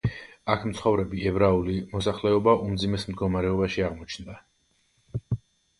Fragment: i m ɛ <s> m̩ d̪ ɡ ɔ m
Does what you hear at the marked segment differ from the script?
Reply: no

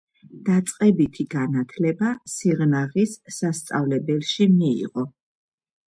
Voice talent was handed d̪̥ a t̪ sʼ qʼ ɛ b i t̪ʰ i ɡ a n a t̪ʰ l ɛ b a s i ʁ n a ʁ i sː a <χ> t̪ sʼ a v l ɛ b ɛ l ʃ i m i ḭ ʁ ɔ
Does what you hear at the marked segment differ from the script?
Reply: yes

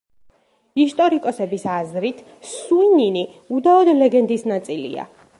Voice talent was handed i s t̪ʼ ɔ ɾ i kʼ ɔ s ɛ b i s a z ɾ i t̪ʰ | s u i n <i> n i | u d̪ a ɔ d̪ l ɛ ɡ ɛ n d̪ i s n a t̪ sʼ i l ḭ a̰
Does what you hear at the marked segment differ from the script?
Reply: no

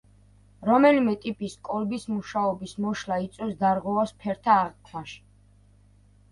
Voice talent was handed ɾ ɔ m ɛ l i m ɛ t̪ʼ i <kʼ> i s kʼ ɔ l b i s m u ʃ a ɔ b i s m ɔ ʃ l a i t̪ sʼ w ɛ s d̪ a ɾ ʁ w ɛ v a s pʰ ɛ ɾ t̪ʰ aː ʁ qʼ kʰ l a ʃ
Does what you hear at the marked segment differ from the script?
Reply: yes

